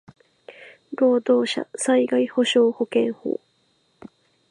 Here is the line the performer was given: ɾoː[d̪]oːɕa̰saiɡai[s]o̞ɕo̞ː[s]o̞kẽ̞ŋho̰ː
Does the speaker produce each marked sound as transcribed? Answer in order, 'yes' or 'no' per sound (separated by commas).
yes, no, no